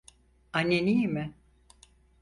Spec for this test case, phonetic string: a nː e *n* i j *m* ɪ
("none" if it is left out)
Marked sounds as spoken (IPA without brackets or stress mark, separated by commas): n, m